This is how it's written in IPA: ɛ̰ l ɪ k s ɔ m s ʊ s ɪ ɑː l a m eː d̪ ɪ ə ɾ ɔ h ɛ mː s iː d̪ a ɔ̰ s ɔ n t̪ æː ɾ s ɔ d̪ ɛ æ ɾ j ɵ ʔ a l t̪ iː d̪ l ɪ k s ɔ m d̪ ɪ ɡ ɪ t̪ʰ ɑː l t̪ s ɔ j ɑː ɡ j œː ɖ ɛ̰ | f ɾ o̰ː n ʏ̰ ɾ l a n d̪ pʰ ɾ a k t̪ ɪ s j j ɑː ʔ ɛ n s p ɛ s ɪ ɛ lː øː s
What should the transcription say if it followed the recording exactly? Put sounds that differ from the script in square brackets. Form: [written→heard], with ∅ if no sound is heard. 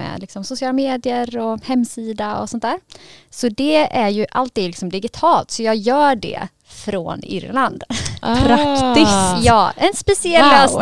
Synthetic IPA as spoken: ɛ̰ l ɪ k s ɔ m s ʊ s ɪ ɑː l a m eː d̪ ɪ ə ɾ ɔ h ɛ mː s iː d̪ a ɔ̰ s ɔ n t̪ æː ɾ s ɔ d̪ ɛ æ ɾ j ɵ ʔ a l t̪ iː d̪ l ɪ k s ɔ m d̪ ɪ ɡ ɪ t̪ʰ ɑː l t̪ s ɔ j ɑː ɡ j œː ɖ ɛ̰ | f ɾ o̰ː n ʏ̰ ɾ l a n d̪ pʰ ɾ a k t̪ ɪ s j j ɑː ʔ ɛ n s p ɛ s ɪ ɛ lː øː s